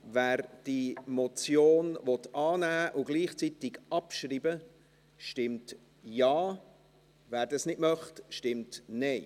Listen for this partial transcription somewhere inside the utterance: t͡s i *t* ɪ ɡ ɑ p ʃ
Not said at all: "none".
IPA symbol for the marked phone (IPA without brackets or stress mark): t